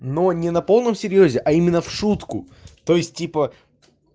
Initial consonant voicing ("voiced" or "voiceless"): voiced